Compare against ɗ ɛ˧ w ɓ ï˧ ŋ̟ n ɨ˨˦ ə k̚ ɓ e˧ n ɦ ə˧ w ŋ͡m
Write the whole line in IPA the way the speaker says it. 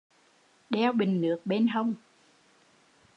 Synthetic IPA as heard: ɗ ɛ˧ w ɓ ï˨˩ ŋ̟ n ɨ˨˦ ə k̚ ɓ e˧ n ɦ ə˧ w ŋ͡m